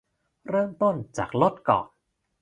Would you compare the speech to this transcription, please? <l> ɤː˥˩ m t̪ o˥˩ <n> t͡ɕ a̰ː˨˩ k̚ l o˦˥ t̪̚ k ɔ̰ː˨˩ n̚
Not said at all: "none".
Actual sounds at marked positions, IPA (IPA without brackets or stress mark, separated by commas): ɾ, n